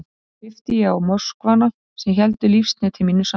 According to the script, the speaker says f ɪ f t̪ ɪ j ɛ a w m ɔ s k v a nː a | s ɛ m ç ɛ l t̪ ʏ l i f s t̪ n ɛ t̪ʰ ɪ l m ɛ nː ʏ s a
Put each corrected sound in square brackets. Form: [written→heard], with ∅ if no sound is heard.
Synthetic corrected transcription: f ɪ f t̪ ɪ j ɛ a w m ɔ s k v a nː a | s ɛ m ç ɛ l t̪ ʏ l i f s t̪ n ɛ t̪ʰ ɪ l m [ɛ→i] nː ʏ s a